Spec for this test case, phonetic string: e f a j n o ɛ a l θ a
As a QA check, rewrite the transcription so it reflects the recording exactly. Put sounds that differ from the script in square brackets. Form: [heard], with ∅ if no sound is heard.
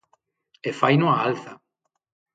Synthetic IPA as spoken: e f a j n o [a] a l θ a